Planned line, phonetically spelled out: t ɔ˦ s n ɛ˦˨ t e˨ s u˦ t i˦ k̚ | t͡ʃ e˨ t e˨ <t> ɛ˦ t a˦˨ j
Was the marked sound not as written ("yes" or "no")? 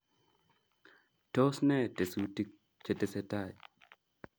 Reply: yes